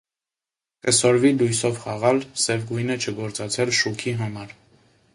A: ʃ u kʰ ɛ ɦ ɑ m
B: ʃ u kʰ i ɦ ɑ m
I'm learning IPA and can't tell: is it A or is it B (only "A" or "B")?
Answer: B